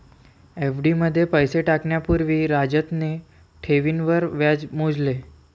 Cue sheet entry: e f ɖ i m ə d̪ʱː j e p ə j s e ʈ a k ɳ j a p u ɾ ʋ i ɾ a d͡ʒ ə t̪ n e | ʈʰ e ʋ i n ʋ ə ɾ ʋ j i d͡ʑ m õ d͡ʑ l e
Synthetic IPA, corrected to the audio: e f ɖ i m ə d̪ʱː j e p ə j s e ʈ a k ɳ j a p u ɾ ʋ i ɾ a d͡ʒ ə t̪ n e | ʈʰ e ʋ i n ʋ ə ɾ ʋ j a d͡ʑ m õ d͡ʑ l e